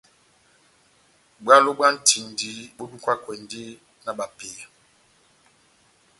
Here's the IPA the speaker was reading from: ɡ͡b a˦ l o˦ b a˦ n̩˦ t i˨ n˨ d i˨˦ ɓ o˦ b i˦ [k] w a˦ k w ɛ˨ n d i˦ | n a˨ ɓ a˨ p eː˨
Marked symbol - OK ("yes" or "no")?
yes